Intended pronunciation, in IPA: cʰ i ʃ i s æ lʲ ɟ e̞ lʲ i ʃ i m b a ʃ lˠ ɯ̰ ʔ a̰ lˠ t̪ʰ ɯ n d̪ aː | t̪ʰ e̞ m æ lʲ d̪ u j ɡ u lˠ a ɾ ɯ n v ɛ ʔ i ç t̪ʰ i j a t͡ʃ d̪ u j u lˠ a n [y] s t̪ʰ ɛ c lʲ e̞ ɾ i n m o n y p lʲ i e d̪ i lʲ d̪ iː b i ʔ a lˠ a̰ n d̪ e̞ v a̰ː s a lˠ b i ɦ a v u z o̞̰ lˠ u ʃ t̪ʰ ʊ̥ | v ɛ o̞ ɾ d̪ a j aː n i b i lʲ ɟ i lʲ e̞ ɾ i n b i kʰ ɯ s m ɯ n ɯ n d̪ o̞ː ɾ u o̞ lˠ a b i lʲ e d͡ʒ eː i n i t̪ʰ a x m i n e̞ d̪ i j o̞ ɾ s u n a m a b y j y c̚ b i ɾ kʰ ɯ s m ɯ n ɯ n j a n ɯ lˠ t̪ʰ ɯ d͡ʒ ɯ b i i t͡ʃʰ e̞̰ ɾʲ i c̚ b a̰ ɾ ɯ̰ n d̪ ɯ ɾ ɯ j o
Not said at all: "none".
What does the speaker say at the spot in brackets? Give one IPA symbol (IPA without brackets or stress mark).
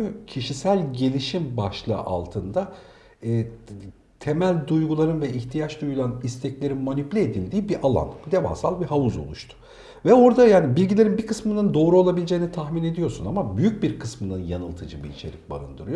i